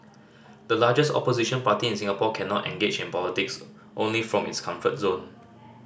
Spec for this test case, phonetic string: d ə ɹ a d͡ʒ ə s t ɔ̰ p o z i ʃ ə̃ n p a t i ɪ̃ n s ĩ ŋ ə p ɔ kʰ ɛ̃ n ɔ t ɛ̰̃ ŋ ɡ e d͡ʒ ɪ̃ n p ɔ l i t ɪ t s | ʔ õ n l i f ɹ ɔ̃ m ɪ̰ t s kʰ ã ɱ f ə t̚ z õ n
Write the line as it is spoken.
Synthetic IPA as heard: d ə l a d͡ʒ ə s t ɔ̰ p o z i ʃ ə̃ n p a t i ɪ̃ n s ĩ ŋ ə p ɔ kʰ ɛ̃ n ɔ t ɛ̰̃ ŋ ɡ e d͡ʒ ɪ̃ n p ɔ l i t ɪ k s | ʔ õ n l i f ɹ ɔ̃ m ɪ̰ t s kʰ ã ɱ f ə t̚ z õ n